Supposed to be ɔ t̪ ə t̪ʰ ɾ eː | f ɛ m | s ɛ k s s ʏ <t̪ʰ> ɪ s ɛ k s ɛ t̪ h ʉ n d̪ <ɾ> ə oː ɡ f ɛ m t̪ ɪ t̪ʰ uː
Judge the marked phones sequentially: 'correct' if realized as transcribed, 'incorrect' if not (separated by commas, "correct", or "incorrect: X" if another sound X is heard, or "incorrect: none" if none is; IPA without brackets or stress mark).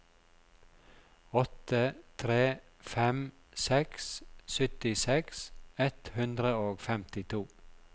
incorrect: t̪, correct